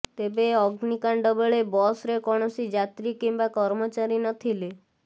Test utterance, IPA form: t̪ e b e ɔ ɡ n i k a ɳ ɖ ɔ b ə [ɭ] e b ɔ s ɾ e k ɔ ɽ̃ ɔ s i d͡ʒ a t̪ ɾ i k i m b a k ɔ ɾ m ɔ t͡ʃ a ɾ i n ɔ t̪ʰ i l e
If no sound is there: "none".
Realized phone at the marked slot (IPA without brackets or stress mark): ɭ